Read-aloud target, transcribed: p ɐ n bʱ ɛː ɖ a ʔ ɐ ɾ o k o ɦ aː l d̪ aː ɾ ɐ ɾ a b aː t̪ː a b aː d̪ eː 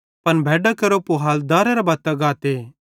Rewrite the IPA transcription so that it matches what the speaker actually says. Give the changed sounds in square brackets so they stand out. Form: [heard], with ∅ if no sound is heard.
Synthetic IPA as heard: p ɐ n bʱ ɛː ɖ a [k] ɐ ɾ o [p] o ɦ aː l d̪ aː ɾ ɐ ɾ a b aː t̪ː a [ɡ] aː [t̪] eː